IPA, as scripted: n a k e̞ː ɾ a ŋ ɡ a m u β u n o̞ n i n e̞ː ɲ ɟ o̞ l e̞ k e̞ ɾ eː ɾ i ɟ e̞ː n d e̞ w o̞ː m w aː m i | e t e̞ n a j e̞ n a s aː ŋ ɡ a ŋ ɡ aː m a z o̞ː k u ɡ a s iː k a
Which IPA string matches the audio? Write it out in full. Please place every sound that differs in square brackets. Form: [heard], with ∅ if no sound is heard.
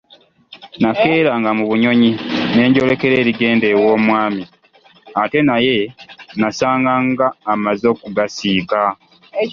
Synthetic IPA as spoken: n a k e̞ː ɾ a ŋ ɡ a m u β u [ɲ] o̞ [ɲ] i n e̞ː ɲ ɟ o̞ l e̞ k e̞ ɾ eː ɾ i [ɡ] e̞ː n d e̞ w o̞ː m w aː m i | [a] t e̞ n a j e̞ n a s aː ŋ ɡ a ŋ ɡ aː m a z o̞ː k u ɡ a s iː k a